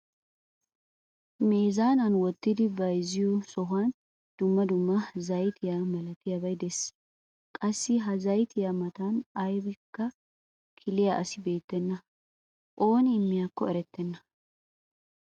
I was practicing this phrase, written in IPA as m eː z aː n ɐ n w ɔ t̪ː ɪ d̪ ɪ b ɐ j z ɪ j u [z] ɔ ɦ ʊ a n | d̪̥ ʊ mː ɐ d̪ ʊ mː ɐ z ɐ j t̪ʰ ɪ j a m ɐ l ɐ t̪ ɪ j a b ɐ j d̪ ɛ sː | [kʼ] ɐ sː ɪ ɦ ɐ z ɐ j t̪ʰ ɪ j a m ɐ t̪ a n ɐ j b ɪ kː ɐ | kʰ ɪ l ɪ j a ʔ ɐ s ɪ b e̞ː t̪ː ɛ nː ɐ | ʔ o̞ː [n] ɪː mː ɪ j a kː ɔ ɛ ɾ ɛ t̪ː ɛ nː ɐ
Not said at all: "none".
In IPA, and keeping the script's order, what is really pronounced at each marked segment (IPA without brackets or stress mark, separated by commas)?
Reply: s, kʼ, n